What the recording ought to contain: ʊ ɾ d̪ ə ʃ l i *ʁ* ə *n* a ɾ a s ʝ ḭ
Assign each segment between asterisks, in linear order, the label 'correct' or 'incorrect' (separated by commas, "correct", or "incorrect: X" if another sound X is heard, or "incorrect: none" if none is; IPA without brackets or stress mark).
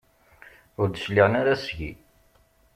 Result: correct, correct